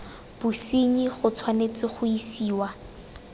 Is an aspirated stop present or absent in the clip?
present